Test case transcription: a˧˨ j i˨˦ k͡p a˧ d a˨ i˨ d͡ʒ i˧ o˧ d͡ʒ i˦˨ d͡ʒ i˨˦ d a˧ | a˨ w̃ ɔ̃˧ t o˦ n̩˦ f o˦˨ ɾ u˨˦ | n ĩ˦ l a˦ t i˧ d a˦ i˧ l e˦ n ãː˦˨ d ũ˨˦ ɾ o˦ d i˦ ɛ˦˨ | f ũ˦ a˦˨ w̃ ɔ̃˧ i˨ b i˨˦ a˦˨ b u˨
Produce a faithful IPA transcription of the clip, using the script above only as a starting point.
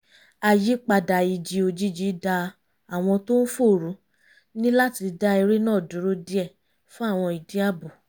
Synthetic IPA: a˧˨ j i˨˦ k͡p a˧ d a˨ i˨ d͡ʒ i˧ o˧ d͡ʒ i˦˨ d͡ʒ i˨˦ d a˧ | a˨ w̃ ɔ̃˧ t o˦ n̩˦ f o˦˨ ɾ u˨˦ | n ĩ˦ l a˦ t i˧ d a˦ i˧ ɾ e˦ n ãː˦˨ d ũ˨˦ ɾ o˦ d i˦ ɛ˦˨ | f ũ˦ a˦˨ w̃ ɔ̃˧ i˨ d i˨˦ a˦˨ b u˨